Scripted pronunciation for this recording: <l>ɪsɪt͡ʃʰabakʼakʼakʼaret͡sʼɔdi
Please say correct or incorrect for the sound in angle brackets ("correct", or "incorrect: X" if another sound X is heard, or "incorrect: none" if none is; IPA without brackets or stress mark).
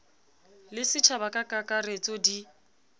correct